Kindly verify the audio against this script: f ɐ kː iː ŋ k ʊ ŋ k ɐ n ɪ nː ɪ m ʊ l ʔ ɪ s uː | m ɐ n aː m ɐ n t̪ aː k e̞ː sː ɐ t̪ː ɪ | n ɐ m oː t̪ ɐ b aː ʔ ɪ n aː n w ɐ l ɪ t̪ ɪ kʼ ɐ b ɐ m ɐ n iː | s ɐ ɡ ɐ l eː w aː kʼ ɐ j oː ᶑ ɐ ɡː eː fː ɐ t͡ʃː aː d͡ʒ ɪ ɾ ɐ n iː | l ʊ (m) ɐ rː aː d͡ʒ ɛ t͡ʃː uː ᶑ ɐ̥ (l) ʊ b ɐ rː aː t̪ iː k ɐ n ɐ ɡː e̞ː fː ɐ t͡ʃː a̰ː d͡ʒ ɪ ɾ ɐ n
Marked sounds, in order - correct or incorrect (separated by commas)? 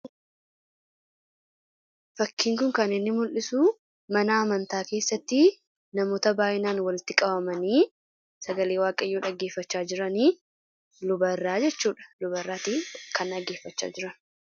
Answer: incorrect, correct